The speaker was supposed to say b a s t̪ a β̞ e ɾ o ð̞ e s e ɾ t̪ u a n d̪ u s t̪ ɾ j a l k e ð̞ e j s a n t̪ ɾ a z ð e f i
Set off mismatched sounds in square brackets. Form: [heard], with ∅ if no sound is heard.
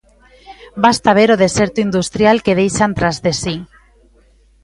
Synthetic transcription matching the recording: b a s t̪ a β̞ e ɾ o ð̞ e s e ɾ t̪ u [i] n d̪ u s t̪ ɾ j a l k e ð̞ e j [ʃ] a n t̪ ɾ a z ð e [s] i

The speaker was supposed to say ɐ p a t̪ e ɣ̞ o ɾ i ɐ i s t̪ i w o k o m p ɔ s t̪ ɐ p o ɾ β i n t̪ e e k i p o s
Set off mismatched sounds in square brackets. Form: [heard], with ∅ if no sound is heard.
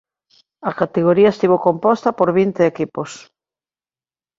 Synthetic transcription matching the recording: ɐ [k] a t̪ e ɣ̞ o ɾ i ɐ [e] s t̪ i [β] o k o m p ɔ s t̪ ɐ p o ɾ β i n t̪ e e k i p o s

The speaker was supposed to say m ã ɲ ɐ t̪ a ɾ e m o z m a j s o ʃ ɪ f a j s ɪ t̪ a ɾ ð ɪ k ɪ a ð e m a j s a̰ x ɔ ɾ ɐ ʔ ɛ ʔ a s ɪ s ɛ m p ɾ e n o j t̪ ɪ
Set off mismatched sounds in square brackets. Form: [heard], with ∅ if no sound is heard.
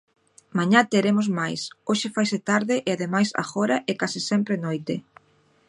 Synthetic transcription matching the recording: m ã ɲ [a] t̪ [e] ɾ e m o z m a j s o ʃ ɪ f a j s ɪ t̪ a ɾ ð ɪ [ʔ] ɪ a ð e m a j s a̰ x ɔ ɾ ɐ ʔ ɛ [k] a s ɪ s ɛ m p ɾ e n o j t̪ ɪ

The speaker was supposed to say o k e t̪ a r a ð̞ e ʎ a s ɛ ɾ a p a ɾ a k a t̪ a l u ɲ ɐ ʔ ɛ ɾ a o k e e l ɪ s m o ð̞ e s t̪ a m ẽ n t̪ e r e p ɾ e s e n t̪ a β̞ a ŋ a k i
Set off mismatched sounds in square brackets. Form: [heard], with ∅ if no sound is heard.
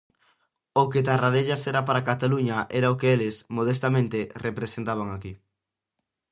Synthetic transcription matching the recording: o k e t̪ a r a ð̞ e ʎ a s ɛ ɾ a p a ɾ a k a t̪ a l u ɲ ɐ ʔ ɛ ɾ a o k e e l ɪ s m o ð̞ e s t̪ a m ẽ n t̪ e r e p ɾ e s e n t̪ a β̞ a ŋ a k i

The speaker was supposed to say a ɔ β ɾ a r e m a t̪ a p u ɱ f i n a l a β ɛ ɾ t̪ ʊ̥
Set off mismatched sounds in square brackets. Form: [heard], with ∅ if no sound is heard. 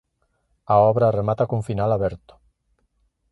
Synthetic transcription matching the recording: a ɔ β ɾ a r e m a t̪ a [k] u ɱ f i n a l a β ɛ ɾ t̪ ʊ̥

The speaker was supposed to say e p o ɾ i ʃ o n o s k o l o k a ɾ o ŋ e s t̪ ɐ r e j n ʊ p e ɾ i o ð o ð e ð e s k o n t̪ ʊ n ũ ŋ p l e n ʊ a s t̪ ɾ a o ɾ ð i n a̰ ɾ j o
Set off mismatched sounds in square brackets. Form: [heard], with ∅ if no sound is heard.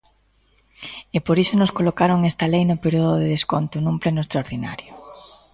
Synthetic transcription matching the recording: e p o ɾ i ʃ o n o s k o l o k a ɾ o ŋ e s t̪ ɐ [l] e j n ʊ p e ɾ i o ð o ð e ð e s k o n t̪ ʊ n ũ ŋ p l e n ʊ [e] s t̪ ɾ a o ɾ ð i n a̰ ɾ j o

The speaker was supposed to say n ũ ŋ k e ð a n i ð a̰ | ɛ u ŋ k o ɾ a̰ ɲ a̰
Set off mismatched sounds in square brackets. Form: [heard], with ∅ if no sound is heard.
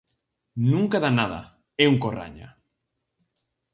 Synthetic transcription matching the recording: n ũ ŋ k [a] ð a n [a] ð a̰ | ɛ u ŋ k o [r] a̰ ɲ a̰

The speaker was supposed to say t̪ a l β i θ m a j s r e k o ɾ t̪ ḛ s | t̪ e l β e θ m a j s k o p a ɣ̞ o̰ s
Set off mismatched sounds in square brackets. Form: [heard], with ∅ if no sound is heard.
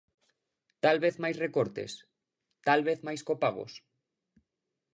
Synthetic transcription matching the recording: t̪ a l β [e] θ m a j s r e k o ɾ t̪ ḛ s | t̪ [a] l β e θ m a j s k o p a ɣ̞ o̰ s

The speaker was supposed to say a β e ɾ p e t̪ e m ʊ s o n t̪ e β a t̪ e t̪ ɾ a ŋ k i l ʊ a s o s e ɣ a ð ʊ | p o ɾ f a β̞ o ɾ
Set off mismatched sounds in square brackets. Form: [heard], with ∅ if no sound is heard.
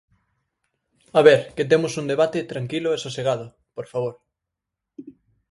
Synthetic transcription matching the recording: a β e ɾ [k] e t̪ e m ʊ s [u] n [d̪] e β a t̪ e t̪ ɾ a ŋ k i l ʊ [e] s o s e ɣ a ð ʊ | p o ɾ f a β̞ o ɾ

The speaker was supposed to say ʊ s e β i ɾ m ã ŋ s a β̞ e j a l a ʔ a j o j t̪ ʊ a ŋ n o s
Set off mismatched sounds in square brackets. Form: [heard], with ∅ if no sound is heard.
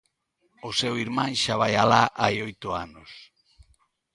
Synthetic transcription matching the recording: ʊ s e [w] i ɾ m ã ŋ [ʃ] a β̞ [a] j a l a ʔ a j o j t̪ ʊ a [∅] n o s

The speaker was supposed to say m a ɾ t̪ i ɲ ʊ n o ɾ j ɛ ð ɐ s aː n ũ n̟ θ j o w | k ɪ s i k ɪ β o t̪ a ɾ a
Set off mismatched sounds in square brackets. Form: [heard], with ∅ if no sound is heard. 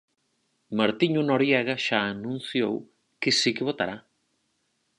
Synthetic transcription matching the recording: m a ɾ t̪ i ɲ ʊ n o ɾ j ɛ [ɣ] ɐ [ʃ] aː n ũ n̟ θ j o w | k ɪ s i k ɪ β o t̪ a ɾ a

